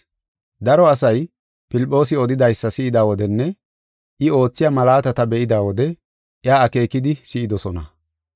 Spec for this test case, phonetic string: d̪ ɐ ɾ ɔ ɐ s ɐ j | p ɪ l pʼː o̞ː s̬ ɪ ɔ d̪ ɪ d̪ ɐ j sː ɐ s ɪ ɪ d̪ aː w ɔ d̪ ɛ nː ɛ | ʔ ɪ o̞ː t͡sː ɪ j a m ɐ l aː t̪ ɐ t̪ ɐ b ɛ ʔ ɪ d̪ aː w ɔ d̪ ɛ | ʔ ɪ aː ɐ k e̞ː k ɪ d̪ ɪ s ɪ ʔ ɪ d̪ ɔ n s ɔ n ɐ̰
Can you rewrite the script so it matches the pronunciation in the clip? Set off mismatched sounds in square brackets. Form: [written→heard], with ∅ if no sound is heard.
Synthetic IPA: d̪ ɐ ɾ ɔ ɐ s ɐ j | p ɪ l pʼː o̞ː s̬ ɪ ɔ d̪ ɪ d̪ ɐ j sː ɐ s ɪ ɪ d̪ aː w ɔ d̪ ɛ nː ɛ | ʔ ɪ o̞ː t͡sː ɪ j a m ɐ l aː t̪ ɐ t̪ ɐ b ɛ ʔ ɪ d̪ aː w ɔ d̪ ɛ | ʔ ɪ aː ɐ k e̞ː k ɪ d̪ ɪ s ɪ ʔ ɪ d̪ ɔ [n→∅] s ɔ n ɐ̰